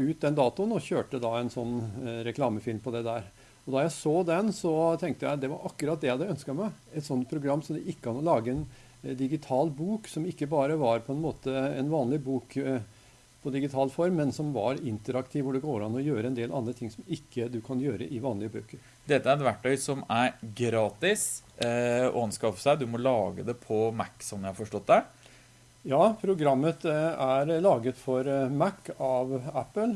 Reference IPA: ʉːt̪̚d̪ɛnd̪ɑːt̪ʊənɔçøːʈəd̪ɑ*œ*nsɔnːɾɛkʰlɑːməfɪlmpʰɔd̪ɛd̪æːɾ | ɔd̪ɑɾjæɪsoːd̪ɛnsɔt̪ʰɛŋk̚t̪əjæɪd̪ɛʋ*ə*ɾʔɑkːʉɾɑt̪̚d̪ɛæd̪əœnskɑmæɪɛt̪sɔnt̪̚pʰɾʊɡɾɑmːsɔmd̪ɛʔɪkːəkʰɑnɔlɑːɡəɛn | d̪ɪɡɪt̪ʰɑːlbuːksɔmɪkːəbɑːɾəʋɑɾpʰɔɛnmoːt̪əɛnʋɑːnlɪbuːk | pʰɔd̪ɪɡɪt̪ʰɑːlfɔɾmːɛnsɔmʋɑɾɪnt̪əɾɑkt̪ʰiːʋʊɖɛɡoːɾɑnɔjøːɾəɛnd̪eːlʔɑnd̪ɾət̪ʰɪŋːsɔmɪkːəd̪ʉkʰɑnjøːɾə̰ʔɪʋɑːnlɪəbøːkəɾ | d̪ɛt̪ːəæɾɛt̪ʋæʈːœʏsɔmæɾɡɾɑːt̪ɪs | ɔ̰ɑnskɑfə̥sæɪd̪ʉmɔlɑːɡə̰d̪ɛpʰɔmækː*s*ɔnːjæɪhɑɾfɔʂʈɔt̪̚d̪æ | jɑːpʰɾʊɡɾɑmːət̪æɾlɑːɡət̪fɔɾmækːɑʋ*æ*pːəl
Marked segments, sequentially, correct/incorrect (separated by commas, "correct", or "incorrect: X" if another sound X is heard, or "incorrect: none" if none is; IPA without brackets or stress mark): incorrect: ɛ, incorrect: ɑ, correct, correct